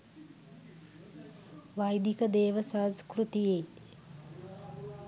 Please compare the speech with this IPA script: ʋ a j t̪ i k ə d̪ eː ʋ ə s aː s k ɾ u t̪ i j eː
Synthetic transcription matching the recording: ʋ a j d̪ i k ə d̪ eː ʋ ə s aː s k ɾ u t̪ i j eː